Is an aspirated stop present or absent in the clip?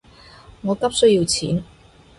present